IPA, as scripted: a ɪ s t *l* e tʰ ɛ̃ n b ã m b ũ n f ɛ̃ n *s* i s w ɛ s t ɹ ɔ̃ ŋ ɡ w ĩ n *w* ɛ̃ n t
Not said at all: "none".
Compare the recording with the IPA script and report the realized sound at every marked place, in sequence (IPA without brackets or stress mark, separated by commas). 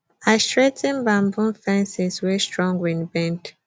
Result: ɹ, s, b